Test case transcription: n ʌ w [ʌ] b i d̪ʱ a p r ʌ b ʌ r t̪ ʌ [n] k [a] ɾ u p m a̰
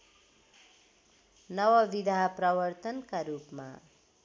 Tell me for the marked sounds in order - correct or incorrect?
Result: correct, correct, correct

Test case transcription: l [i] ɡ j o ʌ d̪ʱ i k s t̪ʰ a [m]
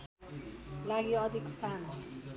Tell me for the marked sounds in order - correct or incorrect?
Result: incorrect: a, incorrect: n

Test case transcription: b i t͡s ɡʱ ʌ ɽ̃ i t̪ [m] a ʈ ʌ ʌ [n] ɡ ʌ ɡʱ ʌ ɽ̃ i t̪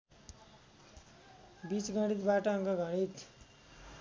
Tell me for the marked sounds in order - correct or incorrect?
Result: incorrect: b, incorrect: ŋ

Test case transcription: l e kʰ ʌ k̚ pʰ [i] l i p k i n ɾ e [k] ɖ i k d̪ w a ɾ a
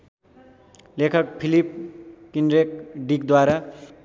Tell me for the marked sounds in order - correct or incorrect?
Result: correct, correct

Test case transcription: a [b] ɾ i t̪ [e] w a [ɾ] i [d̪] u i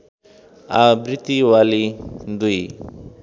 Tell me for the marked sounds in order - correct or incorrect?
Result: correct, incorrect: i, incorrect: l, correct

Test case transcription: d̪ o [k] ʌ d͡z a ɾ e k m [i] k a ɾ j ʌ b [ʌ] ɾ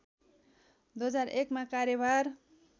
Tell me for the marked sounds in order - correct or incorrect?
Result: incorrect: none, incorrect: a, incorrect: a

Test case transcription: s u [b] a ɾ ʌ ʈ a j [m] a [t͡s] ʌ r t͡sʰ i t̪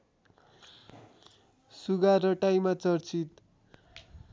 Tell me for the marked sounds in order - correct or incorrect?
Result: incorrect: ɡ, correct, correct

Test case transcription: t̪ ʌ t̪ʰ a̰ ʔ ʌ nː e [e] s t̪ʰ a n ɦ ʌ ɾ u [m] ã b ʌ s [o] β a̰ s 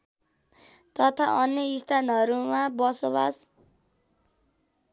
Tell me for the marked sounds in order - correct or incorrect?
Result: incorrect: i, correct, correct

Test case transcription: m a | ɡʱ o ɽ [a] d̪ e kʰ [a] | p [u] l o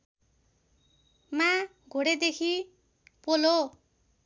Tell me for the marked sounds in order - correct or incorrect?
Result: incorrect: e, incorrect: i, incorrect: o

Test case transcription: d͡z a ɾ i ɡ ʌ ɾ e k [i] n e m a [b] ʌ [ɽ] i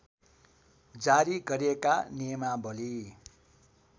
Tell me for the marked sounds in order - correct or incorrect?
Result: incorrect: a, correct, incorrect: l

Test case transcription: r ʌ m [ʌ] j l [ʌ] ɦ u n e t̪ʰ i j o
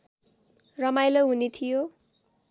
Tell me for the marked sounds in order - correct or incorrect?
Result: incorrect: a, correct

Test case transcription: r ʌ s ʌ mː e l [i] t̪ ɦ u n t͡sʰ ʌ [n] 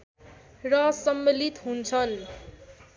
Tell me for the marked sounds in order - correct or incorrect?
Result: correct, correct

